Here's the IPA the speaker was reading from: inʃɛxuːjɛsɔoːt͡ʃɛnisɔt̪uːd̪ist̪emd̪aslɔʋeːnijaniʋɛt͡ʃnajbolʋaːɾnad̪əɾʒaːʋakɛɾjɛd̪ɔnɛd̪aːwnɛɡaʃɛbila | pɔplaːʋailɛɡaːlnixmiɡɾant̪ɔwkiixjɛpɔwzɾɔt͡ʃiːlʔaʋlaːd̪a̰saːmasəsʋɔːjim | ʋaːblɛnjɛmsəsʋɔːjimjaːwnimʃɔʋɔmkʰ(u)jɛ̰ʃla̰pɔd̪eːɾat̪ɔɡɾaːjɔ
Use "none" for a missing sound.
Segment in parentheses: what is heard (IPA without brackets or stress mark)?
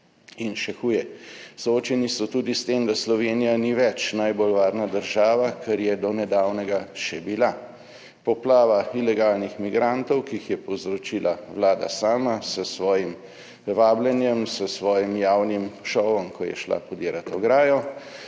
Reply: ɔ